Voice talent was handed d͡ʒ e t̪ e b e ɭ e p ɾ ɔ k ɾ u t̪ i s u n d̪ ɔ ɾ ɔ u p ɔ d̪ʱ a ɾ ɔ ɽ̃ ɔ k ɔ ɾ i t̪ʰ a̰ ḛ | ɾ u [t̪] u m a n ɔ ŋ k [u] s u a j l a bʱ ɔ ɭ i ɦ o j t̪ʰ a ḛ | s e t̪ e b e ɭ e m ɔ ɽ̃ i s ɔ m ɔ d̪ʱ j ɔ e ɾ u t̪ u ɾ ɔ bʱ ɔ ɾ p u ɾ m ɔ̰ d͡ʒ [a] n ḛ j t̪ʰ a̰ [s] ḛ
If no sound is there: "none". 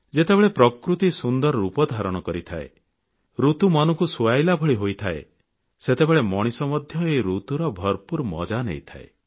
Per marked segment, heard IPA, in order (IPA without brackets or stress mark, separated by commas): t̪, u, a, none